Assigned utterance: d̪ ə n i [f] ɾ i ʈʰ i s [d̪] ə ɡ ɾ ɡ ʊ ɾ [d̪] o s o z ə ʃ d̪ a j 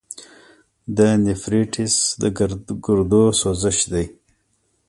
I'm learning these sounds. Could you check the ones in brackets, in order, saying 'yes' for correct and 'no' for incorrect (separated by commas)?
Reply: yes, yes, yes